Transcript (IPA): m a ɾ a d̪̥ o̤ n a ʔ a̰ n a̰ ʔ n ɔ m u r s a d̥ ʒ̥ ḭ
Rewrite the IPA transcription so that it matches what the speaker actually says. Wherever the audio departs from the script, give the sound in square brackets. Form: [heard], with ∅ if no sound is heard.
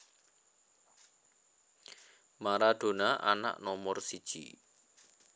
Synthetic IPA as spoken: m a ɾ a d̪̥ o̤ n a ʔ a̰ n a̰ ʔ n ɔ m [ɔ] r s [i] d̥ ʒ̥ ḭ